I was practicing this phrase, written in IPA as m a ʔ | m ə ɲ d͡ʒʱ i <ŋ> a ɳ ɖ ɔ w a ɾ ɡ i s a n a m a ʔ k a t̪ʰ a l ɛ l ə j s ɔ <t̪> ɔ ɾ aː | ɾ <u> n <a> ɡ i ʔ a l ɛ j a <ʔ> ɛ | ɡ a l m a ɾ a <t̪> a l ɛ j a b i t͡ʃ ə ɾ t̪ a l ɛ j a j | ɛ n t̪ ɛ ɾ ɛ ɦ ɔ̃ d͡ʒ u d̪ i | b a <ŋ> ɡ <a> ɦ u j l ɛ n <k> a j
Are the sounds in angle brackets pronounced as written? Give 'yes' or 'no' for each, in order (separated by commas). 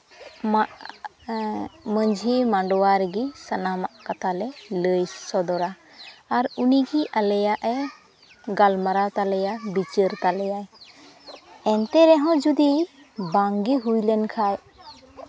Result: no, no, yes, no, yes, yes, yes, no, no